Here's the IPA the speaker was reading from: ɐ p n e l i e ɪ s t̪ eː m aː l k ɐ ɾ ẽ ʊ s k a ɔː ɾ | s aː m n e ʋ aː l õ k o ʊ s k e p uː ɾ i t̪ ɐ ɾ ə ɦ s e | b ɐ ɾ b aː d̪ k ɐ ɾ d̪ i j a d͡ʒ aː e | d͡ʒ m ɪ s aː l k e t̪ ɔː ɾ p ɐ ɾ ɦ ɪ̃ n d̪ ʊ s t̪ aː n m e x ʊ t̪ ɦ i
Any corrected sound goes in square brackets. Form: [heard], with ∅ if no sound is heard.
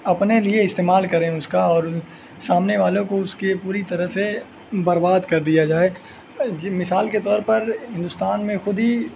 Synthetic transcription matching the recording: ɐ p n e l i e ɪ s t̪ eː m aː l k ɐ ɾ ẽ ʊ s k a ɔː ɾ | s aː m n e ʋ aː l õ k o ʊ s k e p uː ɾ i t̪ ɐ ɾ ə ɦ s e | b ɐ ɾ b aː d̪ k ɐ ɾ d̪ i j a d͡ʒ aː e | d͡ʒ m ɪ s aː l k e t̪ ɔː ɾ p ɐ ɾ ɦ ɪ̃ n d̪ ʊ s t̪ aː n m [ẽ] x ʊ [d̪] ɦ i